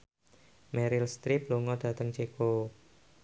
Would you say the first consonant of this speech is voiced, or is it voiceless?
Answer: voiced